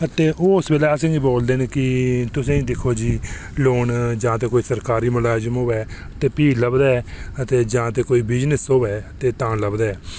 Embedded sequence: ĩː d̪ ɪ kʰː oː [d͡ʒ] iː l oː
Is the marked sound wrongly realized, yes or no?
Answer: no